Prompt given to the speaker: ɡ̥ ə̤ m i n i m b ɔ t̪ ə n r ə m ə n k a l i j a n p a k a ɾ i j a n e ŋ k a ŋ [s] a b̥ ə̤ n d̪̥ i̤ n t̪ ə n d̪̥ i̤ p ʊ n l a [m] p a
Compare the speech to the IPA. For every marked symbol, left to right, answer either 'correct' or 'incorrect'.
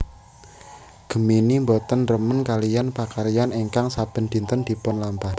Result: correct, correct

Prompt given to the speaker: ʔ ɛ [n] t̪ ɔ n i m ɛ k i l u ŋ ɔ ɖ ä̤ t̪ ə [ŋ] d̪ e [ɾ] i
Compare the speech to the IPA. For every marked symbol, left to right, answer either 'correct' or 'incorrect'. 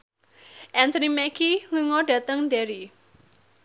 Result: correct, correct, correct

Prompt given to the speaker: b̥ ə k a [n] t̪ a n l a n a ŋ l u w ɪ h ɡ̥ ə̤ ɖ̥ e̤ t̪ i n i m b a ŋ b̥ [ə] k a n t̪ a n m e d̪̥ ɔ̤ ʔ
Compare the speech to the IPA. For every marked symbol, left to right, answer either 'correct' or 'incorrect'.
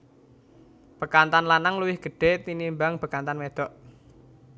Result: correct, correct

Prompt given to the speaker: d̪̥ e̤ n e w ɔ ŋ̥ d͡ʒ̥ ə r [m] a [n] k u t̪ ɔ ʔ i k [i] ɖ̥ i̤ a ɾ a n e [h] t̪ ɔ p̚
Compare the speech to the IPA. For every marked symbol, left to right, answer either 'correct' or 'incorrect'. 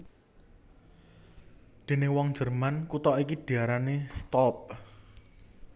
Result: correct, correct, correct, incorrect

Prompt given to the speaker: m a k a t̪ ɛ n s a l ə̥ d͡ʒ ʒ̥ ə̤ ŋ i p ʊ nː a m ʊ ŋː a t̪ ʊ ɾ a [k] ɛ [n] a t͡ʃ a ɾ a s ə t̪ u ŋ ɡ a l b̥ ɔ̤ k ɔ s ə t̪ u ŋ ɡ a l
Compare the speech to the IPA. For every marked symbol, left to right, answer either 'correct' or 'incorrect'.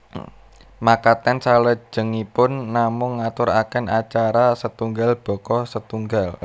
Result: correct, correct

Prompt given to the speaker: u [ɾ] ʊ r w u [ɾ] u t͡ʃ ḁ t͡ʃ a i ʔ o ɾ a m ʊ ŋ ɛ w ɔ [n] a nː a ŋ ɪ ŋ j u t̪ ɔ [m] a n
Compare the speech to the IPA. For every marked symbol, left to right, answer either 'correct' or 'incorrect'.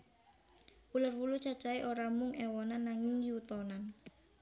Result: incorrect, incorrect, correct, incorrect

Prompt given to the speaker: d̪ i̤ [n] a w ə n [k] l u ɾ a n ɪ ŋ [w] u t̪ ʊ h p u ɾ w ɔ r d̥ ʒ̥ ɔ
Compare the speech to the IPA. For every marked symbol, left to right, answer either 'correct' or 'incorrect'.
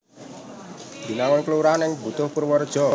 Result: correct, correct, incorrect

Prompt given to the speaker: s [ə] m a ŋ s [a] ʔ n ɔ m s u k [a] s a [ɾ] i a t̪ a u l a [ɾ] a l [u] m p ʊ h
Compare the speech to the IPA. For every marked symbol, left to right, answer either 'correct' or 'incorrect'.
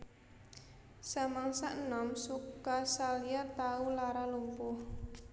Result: incorrect, correct, correct, incorrect, correct, correct

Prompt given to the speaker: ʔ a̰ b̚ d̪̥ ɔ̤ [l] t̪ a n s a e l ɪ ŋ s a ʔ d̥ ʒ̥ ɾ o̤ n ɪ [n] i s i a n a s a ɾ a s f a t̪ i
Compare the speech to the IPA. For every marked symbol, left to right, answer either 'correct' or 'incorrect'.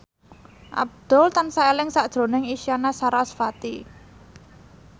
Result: correct, incorrect

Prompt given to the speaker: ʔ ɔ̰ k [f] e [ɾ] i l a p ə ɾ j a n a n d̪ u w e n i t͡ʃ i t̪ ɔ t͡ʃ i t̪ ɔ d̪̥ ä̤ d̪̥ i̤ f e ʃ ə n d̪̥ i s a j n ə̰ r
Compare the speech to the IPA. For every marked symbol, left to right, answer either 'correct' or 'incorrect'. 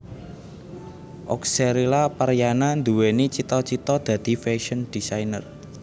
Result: incorrect, correct

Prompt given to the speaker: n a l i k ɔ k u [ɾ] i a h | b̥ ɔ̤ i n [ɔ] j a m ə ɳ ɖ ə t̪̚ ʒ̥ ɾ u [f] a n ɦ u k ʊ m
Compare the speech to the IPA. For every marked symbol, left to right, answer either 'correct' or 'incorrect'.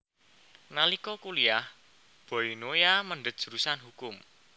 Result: incorrect, incorrect, incorrect

